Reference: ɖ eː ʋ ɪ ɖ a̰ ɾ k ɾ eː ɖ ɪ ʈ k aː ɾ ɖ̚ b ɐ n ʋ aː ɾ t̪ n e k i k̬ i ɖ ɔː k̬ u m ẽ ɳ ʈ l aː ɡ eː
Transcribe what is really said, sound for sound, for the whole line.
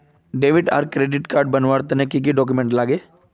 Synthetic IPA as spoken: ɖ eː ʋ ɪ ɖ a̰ ɾ k ɾ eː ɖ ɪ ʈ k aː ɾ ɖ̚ b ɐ n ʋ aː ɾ t̪ n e k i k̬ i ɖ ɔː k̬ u m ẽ ɳ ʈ l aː ɡ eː